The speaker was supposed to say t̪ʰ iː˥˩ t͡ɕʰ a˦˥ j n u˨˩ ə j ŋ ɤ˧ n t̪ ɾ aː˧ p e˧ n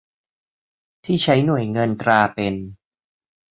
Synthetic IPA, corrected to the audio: t̪ʰ iː˥˩ t͡ɕʰ a˦˥ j n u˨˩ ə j ŋ ɤ˧ n t̪ ɾ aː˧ p e˧ n